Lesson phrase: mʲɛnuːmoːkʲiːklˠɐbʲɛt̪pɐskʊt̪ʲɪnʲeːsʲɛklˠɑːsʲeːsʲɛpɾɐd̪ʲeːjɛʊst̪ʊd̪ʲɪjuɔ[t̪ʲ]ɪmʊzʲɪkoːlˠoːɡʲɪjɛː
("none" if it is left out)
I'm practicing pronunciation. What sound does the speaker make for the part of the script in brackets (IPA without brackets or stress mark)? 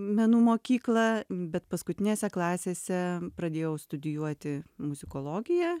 t̪ʲ